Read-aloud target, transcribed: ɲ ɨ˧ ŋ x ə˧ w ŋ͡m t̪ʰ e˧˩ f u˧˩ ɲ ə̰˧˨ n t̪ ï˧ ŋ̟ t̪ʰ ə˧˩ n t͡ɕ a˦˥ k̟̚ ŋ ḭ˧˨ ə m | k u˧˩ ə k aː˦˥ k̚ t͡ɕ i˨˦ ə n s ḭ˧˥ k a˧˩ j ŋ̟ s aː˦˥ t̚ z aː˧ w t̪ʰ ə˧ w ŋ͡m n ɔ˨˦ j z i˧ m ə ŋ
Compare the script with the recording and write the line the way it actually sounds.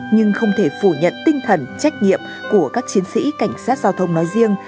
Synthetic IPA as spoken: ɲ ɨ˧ ŋ x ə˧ w ŋ͡m t̪ʰ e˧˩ f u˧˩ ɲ ə̰˧˨ n t̪ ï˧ ŋ̟ t̪ʰ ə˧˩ n t͡ɕ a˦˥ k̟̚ ɲ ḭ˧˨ ə m | k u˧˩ ə k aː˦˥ k̚ t͡ɕ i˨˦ ə n s ḭ˧˥ k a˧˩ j ŋ̟ s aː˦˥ t̚ z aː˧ w t̪ʰ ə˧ w ŋ͡m n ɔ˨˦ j z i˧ ə ŋ